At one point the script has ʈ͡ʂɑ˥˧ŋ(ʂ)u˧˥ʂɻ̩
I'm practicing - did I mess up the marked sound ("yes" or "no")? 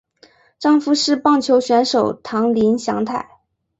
yes